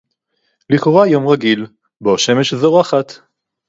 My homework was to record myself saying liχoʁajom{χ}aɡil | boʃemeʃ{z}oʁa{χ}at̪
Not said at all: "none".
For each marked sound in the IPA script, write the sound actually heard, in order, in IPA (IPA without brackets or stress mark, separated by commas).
ʁ, z, χ